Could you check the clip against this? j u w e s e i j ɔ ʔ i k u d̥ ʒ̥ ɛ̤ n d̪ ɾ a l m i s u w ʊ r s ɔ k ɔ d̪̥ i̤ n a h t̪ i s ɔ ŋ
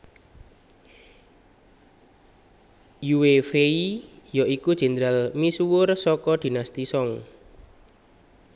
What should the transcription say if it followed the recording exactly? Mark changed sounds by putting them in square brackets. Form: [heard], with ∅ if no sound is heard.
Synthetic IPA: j u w e [f] e i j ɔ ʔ i k u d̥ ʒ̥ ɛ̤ n d̪ ɾ a l m i s u w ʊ r s ɔ k ɔ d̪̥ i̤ n a [s] t̪ i s ɔ ŋ